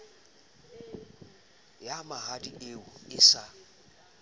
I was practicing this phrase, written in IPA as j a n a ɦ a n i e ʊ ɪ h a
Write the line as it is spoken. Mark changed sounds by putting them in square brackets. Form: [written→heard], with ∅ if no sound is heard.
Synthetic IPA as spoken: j a [n→m] a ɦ a [n→d] i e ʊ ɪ [h→s] a